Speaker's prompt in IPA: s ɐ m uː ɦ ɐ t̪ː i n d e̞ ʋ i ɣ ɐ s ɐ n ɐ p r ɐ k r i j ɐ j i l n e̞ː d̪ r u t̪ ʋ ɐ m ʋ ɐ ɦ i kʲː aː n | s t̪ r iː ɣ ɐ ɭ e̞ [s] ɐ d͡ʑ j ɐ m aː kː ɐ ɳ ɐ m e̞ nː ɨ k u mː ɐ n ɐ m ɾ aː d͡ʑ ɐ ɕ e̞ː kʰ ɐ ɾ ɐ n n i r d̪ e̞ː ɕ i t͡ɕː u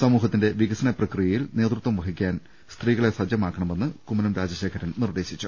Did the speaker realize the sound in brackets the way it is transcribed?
yes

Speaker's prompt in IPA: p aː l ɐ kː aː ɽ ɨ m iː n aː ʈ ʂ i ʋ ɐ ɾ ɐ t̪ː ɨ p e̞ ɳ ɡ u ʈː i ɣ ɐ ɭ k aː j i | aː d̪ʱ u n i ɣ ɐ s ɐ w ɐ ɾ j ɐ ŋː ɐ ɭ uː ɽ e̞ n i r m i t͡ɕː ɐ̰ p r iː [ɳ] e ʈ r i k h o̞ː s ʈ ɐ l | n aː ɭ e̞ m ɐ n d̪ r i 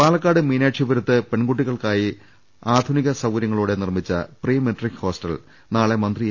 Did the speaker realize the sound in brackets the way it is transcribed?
no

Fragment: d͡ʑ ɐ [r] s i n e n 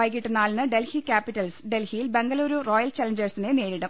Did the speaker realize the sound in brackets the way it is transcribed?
yes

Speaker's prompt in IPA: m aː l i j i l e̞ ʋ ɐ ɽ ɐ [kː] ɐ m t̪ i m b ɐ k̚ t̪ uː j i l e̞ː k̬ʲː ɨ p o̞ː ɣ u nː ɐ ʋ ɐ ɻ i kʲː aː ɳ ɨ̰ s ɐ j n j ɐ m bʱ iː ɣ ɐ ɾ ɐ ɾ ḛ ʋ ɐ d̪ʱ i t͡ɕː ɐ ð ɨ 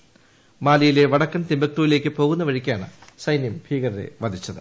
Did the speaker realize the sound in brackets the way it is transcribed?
yes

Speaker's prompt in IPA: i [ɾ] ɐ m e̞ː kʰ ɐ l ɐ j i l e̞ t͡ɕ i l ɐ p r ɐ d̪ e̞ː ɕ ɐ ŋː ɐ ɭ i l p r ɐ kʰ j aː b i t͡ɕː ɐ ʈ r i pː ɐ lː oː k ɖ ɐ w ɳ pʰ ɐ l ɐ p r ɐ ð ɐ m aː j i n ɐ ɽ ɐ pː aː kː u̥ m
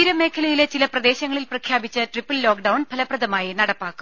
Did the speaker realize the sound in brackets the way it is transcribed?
yes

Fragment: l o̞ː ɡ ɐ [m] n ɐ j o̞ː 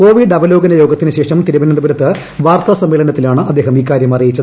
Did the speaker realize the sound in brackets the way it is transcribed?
no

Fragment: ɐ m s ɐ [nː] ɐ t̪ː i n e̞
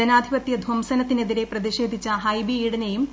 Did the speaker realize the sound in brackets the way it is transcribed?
no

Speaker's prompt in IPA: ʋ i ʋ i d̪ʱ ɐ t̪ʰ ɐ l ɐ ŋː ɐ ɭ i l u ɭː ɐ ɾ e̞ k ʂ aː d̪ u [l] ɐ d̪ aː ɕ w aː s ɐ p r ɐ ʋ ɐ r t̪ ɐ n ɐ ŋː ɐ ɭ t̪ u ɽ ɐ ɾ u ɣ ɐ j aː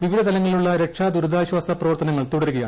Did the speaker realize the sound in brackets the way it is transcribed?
no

